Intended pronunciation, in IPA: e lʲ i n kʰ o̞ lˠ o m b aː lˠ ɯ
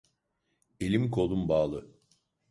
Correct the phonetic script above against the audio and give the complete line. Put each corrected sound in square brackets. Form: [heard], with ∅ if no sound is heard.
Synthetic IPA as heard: e lʲ i [m] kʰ o̞ lˠ [u] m b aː lˠ ɯ